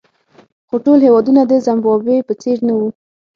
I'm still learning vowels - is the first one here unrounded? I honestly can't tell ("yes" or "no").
no